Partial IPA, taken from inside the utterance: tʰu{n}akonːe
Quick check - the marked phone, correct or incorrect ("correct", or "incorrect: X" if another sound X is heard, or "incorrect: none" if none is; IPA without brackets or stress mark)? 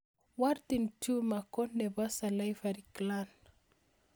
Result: incorrect: m